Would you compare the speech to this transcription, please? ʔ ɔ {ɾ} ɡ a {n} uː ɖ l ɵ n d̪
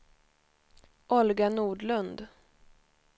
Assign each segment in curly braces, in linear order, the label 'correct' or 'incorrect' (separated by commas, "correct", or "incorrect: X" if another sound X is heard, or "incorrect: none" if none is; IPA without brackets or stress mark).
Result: incorrect: l, correct